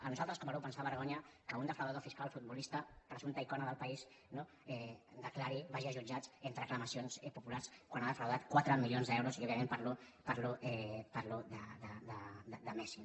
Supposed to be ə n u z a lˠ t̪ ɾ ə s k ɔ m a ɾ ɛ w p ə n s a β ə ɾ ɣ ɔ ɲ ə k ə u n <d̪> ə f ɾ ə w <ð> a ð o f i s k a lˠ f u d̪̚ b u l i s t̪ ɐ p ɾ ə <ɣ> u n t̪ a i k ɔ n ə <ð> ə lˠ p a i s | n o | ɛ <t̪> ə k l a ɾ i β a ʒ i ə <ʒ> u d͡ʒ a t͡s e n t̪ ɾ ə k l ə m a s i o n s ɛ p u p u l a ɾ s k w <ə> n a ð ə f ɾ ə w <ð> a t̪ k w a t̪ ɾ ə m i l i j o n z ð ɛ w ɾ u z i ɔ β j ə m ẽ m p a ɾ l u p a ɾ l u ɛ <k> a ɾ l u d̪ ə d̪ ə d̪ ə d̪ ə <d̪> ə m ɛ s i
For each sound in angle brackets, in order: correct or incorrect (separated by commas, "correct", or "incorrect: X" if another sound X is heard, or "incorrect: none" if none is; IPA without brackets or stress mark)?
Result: correct, correct, incorrect: z, correct, incorrect: d̪, correct, incorrect: a, correct, incorrect: p, correct